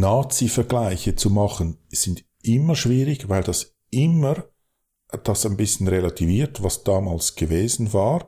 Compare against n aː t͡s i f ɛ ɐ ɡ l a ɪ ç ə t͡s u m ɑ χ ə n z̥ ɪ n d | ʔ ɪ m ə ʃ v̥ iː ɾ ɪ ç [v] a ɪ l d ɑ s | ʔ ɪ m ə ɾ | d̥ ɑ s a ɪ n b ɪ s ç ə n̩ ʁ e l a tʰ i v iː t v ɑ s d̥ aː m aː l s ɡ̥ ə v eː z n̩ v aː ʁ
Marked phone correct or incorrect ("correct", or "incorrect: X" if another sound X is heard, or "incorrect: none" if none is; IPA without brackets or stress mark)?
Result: correct